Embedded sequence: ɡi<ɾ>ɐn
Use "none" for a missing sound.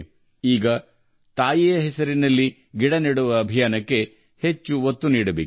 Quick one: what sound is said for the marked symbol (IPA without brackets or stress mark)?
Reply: ɽ